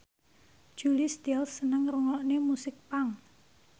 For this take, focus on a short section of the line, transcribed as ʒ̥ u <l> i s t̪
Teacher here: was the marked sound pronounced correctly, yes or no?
yes